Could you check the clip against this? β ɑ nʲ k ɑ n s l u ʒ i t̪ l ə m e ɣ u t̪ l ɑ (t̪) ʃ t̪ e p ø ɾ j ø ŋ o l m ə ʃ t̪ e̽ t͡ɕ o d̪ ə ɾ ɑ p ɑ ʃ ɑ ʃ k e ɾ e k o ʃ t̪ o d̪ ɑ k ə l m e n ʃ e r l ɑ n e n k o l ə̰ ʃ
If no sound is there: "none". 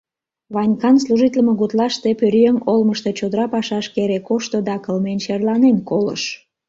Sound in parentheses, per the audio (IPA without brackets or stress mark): none